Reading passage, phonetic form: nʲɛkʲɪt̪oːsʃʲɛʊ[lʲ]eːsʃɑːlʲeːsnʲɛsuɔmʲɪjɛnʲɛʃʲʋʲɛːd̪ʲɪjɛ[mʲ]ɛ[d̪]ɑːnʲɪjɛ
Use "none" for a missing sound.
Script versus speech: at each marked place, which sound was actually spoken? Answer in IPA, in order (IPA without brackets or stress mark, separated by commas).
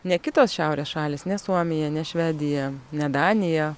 ɾʲ, nʲ, d̪